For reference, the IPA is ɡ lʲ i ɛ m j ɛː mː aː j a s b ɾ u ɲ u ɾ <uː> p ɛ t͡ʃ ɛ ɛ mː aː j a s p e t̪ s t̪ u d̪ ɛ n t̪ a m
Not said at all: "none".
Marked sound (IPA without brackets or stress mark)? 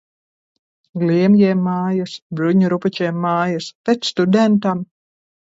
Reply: u